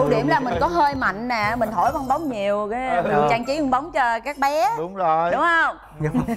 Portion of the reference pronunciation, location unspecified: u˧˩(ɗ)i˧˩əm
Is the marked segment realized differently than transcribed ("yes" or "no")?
no